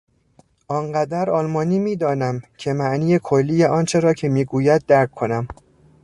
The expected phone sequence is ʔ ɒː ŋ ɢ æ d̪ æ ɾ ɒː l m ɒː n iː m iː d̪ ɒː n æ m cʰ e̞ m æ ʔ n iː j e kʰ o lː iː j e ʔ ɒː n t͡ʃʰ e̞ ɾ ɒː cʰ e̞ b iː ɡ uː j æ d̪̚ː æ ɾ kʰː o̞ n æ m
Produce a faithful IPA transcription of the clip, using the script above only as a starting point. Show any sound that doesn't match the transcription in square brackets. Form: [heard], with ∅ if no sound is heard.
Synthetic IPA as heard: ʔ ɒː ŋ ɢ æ d̪ æ ɾ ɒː l m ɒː n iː m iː d̪ ɒː n æ m cʰ e̞ m æ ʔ n iː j e kʰ o lː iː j e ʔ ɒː n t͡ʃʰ e̞ ɾ ɒː cʰ e̞ [m] iː ɡ uː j æ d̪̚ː æ ɾ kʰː o̞ n æ m